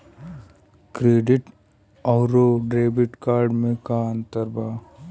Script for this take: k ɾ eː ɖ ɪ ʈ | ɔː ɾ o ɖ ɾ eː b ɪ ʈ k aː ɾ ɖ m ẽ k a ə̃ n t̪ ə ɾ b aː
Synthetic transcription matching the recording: k ɾ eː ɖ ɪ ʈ | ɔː ɾ o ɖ ɾ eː b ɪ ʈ k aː ɾ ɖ m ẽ k a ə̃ n t̪ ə ɾ b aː